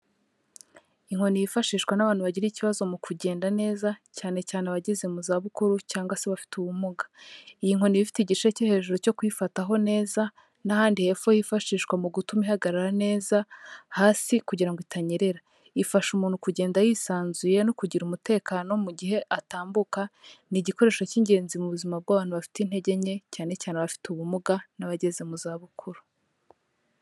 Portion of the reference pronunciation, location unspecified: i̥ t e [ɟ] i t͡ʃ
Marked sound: correct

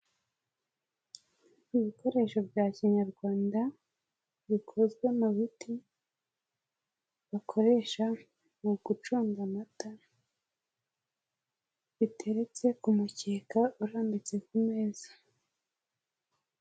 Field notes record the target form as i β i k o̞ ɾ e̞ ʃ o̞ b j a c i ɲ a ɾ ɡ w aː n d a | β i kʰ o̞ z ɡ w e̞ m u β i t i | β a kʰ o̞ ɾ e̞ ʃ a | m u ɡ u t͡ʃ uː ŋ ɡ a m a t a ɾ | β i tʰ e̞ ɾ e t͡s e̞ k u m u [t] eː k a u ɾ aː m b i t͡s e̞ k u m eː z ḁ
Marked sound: incorrect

